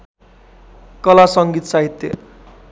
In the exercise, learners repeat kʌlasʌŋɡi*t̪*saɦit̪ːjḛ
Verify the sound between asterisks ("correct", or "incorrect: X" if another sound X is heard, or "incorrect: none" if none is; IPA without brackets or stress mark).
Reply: correct